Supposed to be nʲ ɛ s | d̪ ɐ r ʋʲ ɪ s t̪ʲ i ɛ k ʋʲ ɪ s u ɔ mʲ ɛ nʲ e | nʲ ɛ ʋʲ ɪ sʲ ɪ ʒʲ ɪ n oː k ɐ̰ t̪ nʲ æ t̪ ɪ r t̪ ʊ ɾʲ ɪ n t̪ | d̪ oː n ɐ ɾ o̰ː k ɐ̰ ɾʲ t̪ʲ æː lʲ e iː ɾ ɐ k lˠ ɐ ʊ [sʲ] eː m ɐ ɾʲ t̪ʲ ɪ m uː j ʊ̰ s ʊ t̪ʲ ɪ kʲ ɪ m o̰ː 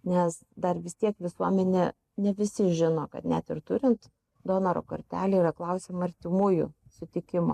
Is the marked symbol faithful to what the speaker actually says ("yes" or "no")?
yes